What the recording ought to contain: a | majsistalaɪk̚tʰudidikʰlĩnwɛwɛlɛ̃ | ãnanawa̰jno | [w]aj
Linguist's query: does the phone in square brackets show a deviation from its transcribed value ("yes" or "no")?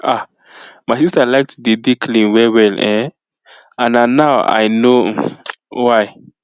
no